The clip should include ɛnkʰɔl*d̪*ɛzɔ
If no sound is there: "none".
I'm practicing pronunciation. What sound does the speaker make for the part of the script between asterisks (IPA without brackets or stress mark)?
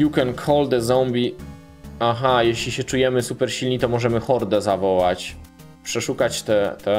d̪